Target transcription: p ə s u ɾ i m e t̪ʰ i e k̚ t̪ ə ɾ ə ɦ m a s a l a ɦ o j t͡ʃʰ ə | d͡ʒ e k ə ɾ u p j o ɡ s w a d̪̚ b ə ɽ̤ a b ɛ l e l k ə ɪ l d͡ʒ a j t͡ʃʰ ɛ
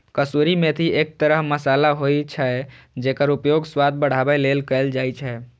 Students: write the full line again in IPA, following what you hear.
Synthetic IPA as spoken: k ə s u ɾ i m e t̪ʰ i e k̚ t̪ ə ɾ ə ɦ m ə s a l a ɦ o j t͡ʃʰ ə | d͡ʒ e k ə ɾ u p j o ɡ s w a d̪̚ b ə ɽ̤ a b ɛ l e l k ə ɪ l d͡ʒ a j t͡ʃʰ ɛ

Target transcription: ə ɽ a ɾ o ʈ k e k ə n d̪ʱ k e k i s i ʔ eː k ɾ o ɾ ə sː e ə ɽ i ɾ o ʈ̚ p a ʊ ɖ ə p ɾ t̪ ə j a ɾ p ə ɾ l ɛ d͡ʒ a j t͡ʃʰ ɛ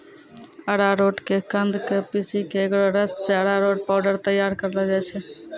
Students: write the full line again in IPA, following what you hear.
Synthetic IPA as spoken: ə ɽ a ɾ o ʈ k e k ə n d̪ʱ k e p i s i k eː k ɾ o ɾ ə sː e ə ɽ a ɾ o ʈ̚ p a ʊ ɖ ə ɾ t̪ ə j a ɾ k ə ɾ l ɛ d͡ʒ a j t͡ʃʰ ɛ

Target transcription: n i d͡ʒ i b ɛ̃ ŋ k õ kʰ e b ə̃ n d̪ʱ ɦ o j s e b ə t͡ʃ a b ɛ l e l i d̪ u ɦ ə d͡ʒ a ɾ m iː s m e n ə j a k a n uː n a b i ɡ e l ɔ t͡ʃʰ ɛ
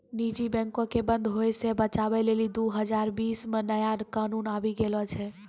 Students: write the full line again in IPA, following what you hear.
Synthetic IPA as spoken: n i d͡ʒ i b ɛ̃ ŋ k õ k e b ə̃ n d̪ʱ ɦ o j s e b ə t͡ʃ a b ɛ l e l i d̪ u ɦ ə d͡ʒ a ɾ b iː s m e n ə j a k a n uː n a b i ɡ e l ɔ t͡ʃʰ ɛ

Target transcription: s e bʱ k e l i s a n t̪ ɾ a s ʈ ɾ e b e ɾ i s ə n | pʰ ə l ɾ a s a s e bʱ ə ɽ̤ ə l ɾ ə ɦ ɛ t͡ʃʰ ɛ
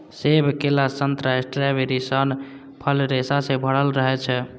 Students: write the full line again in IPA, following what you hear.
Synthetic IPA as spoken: s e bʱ k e l a s ə n t̪ ɾ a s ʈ ɾ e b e ɾ i s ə n | pʰ ə l ɾ e s a s e bʱ ə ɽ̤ ə l ɾ ə ɦ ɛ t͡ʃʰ ɛ

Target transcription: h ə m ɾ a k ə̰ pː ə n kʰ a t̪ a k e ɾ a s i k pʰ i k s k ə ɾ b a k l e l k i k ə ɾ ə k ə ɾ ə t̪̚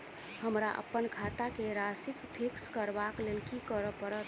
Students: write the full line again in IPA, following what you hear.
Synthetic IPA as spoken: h ə m ɾ a ʔ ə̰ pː ə n kʰ a t̪ a k e ɾ a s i k pʰ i k s k ə ɾ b a k l e l k i k ə ɾ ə p ə ɾ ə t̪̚

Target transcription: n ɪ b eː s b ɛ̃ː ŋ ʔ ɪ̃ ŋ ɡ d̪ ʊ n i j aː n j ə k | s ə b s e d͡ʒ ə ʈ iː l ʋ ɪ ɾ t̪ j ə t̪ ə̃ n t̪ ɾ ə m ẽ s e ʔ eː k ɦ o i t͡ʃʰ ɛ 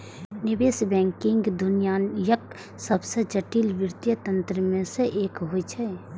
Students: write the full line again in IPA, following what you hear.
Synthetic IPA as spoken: n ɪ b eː s b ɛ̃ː ŋ k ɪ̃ ŋ ɡ d̪ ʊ n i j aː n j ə k | s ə b s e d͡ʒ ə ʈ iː l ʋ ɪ ɾ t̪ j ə t̪ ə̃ n t̪ ɾ ə m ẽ s e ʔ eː k ɦ o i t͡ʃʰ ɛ

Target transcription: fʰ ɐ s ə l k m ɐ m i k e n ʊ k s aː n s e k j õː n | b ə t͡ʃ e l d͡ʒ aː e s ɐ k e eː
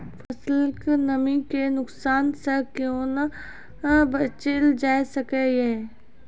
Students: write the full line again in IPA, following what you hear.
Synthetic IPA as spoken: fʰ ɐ s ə l k n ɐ m i k e n ʊ k s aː n s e k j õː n | b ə t͡ʃ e l d͡ʒ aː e s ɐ k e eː

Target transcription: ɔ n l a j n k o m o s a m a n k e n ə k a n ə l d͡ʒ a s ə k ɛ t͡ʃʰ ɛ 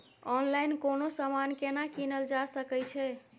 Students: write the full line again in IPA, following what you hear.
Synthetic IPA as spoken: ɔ n l a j n k o n o s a m a n k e n a k i n ə l d͡ʒ a s ə k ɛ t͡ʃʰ ɛ

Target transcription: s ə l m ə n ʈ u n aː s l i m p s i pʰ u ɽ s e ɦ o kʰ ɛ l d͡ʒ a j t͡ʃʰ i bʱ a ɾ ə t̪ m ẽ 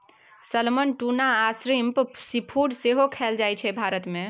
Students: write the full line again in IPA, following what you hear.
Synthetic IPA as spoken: s ə l m ə n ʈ u n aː s ɾ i m p s i pʰ u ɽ s e ɦ o kʰ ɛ l d͡ʒ a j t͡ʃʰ ɛ bʱ a ɾ ə t̪ m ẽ

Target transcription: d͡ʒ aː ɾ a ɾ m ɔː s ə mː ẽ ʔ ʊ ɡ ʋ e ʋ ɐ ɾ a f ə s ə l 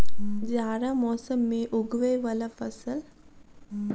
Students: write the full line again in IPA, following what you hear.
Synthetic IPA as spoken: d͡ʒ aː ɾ a m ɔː s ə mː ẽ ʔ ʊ ɡ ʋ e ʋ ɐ l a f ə s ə l

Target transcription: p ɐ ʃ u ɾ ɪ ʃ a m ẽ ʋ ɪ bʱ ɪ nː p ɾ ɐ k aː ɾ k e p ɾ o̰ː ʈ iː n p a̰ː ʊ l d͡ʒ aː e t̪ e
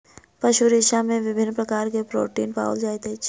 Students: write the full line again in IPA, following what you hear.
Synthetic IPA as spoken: p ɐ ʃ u ɾ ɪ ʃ a m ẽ ʋ ɪ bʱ ɪ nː p ɾ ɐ k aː ɾ k e p ɾ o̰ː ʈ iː n p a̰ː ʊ l d͡ʒ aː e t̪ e

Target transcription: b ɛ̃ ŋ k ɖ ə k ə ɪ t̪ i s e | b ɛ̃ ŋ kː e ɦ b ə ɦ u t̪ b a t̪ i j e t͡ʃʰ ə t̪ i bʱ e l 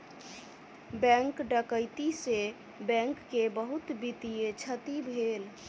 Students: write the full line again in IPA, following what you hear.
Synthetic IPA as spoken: b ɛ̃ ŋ k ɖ ə k ə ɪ t̪ i s e | b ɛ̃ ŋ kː e b ə ɦ u t̪ b i t̪ i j e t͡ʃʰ ə t̪ i bʱ e l

